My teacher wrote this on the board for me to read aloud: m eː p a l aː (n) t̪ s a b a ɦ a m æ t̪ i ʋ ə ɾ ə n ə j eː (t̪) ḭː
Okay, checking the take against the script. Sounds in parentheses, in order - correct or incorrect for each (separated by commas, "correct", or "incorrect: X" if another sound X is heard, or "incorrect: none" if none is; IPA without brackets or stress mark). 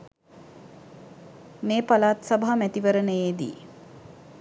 incorrect: none, incorrect: d̪